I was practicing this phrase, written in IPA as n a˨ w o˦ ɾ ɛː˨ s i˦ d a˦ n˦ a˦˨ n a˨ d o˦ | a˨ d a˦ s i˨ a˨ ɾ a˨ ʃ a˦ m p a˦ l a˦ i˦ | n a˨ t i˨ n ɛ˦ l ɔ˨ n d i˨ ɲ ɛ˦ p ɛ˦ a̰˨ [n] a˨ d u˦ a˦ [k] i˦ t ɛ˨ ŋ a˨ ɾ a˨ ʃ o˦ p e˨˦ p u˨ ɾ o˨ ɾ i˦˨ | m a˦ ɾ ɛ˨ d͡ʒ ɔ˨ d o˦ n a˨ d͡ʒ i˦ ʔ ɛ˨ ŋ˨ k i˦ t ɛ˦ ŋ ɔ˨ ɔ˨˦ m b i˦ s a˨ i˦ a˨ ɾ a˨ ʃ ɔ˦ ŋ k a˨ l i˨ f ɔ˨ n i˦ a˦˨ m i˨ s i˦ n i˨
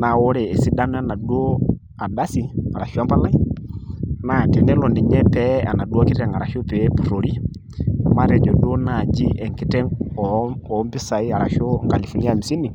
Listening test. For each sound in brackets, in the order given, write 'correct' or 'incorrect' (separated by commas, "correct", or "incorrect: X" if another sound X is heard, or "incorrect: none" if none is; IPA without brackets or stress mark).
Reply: correct, correct